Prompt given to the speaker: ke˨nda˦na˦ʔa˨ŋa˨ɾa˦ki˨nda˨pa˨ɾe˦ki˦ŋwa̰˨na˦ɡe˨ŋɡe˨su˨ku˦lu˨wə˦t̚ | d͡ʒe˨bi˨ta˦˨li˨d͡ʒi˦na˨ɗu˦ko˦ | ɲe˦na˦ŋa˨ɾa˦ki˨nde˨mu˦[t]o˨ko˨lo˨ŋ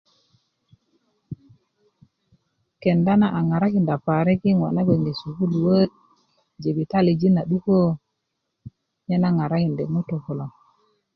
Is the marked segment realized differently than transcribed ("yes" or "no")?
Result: no